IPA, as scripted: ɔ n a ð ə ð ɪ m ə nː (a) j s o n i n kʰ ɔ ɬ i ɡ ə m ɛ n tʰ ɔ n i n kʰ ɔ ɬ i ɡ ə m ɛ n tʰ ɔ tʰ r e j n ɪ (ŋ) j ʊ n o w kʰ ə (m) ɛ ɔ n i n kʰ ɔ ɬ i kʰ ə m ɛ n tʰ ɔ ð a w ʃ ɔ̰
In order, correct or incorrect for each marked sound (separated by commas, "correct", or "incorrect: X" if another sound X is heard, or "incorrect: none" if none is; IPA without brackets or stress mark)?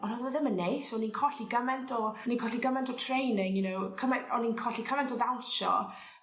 incorrect: e, correct, correct